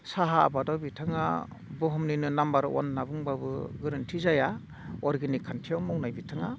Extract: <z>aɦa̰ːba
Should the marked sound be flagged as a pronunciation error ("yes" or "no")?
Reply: yes